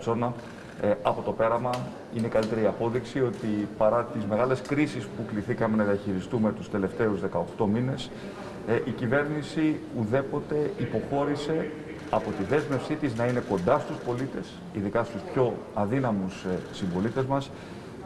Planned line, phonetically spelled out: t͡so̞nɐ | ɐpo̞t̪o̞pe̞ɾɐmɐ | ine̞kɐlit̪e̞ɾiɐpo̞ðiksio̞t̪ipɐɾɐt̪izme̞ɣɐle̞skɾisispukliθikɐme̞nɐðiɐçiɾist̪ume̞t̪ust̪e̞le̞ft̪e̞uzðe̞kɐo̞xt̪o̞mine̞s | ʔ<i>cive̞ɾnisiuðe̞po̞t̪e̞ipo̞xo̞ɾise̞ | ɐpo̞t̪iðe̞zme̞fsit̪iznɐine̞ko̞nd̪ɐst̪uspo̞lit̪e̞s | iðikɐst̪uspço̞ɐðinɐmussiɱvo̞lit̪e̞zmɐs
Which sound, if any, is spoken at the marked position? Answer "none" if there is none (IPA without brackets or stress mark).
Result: i